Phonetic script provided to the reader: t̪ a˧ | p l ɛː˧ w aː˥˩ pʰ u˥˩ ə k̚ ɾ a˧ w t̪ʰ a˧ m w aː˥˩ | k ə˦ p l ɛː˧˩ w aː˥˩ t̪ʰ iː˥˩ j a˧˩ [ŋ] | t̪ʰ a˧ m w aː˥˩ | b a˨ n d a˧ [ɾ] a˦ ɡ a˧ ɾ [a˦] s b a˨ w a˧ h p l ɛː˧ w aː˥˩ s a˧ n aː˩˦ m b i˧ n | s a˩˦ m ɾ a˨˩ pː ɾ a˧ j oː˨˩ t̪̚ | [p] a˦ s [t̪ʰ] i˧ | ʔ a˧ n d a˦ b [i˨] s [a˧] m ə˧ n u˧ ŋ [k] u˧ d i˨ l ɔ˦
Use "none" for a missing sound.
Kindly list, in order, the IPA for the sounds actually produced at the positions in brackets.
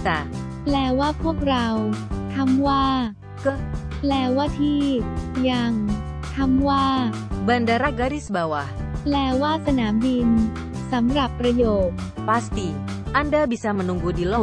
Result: ŋ, ɾ, i˦, p, t̪, i˨, a˧, ɡ

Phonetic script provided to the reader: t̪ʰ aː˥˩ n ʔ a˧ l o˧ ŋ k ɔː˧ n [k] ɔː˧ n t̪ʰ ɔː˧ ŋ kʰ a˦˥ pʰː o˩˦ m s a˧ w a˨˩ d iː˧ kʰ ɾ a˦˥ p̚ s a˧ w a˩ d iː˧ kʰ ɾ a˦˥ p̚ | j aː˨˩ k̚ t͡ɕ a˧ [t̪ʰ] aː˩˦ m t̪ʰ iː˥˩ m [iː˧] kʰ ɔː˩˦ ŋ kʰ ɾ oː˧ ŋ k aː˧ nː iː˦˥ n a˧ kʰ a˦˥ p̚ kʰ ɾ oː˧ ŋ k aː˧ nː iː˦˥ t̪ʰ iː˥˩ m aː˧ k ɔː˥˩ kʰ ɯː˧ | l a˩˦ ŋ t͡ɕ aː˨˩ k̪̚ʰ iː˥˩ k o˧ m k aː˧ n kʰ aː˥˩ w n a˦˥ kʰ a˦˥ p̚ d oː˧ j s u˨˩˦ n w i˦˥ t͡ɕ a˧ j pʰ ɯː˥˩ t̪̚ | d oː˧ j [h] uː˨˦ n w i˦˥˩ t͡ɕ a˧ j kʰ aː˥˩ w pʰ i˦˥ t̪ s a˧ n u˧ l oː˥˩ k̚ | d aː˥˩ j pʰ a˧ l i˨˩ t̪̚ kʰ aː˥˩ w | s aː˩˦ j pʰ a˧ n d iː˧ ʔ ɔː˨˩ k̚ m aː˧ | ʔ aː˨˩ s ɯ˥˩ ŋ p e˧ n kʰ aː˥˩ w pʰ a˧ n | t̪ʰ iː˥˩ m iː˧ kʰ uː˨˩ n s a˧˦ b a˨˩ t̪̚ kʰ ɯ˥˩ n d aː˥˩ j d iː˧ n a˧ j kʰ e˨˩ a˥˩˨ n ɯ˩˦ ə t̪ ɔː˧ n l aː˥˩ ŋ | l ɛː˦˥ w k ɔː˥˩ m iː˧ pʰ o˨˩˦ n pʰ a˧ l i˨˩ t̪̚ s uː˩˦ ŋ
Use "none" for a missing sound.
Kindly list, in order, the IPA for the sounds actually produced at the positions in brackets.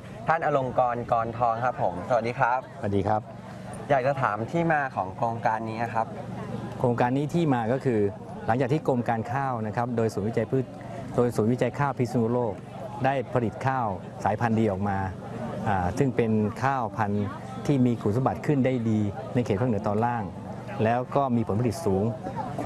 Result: k, t̪ʰ, aː˧, s

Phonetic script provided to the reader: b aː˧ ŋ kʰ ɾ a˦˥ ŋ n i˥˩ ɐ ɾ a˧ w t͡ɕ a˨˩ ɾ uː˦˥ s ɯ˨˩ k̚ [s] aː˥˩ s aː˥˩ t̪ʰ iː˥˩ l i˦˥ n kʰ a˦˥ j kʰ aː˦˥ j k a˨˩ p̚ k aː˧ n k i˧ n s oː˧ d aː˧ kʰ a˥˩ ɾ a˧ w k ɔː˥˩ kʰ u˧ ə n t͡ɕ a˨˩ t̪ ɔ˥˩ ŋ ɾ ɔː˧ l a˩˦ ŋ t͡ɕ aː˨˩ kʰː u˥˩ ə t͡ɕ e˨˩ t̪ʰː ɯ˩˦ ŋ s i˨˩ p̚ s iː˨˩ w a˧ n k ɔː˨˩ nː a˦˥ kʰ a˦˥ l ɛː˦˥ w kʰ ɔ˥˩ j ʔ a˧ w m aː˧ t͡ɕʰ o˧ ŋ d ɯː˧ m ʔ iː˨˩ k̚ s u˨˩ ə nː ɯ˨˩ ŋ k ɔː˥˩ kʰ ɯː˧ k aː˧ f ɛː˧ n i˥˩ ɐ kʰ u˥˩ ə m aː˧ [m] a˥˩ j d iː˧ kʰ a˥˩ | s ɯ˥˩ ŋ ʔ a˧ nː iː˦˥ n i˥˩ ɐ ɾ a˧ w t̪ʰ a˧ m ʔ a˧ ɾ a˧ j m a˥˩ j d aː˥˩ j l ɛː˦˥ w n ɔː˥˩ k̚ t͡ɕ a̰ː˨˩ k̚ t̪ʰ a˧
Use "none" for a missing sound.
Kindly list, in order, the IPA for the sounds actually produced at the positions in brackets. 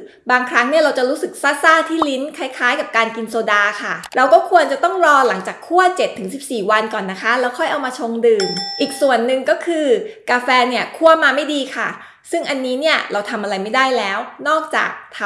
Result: s, m

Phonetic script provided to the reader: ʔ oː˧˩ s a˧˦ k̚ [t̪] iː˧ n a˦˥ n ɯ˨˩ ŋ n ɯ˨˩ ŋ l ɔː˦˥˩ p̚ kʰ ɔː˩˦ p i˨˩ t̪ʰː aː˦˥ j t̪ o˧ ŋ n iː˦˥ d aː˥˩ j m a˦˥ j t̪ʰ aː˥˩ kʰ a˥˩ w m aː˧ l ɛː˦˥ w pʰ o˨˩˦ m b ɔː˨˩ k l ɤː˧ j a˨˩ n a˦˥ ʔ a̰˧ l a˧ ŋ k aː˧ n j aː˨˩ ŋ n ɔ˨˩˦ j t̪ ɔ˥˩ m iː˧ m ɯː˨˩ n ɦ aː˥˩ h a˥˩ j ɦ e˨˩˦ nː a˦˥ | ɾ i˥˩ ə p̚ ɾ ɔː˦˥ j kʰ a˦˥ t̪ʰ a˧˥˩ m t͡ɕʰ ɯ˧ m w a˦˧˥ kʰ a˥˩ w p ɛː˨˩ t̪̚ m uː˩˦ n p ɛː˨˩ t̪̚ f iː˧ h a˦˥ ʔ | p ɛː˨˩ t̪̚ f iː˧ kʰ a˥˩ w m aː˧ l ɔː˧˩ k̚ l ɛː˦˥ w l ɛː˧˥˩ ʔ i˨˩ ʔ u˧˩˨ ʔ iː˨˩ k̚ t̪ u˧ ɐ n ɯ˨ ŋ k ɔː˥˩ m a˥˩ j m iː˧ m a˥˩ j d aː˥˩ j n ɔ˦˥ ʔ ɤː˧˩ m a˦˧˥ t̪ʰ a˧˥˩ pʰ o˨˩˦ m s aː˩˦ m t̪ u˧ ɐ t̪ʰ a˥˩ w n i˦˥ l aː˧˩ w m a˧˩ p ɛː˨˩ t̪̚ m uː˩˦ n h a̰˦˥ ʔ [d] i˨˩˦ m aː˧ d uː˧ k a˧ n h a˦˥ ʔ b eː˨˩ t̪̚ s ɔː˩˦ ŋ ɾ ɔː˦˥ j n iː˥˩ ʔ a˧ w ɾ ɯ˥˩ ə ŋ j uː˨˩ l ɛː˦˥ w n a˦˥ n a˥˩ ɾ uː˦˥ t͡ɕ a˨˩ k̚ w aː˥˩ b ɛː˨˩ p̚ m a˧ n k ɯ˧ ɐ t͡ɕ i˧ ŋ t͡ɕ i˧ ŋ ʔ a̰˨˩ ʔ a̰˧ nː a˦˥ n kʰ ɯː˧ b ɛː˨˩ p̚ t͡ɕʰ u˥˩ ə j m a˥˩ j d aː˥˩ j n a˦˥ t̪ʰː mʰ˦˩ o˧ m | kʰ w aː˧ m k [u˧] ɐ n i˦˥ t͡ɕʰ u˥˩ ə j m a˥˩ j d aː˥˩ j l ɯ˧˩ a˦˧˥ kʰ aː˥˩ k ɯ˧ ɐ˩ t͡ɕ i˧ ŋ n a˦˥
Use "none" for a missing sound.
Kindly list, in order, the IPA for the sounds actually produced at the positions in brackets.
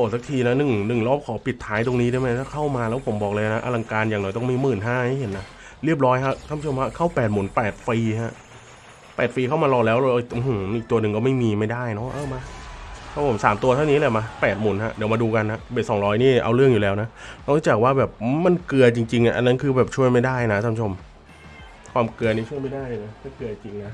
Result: t̪ʰ, d, ɯ˧

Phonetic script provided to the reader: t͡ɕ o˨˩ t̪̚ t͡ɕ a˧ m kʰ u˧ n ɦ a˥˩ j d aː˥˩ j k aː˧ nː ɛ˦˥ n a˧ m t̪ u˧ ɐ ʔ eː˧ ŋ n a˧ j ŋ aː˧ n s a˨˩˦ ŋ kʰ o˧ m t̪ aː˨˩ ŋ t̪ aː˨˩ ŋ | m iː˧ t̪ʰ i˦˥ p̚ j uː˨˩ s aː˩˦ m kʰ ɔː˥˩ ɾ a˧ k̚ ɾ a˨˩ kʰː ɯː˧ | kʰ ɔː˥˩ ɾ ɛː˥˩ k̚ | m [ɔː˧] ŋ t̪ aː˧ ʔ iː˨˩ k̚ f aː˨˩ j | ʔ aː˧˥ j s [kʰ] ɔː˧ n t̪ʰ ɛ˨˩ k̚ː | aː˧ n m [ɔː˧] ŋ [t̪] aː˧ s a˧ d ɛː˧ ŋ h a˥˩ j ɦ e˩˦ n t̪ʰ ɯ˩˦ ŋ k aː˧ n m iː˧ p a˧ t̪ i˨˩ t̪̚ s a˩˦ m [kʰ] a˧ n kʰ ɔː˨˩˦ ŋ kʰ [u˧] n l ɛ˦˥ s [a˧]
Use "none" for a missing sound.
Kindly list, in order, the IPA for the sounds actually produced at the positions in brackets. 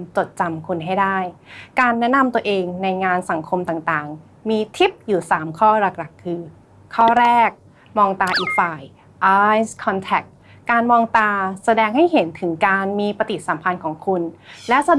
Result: ɔː˧, kʰ, ɔː˧, t̪, pʰ, u˧, a˧

